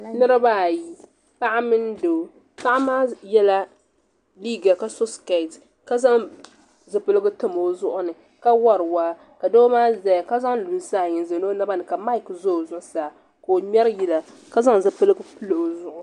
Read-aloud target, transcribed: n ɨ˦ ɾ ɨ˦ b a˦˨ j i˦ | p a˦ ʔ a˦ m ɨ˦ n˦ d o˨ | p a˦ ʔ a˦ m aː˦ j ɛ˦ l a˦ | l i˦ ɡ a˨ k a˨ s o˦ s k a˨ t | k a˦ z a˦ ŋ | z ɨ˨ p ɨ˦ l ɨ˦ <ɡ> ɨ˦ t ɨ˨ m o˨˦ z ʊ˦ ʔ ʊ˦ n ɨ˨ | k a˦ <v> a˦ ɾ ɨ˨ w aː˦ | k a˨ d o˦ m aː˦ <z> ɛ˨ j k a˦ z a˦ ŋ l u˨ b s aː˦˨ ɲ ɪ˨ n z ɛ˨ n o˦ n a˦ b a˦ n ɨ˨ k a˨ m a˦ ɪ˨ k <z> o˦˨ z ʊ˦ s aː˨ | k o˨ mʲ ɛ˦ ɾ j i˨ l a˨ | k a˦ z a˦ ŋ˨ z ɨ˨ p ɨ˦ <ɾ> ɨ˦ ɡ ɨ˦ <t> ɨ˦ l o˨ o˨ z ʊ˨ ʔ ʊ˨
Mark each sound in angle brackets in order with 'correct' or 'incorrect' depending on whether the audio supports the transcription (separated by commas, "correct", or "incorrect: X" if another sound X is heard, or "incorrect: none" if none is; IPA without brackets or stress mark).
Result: correct, incorrect: w, correct, correct, incorrect: l, incorrect: p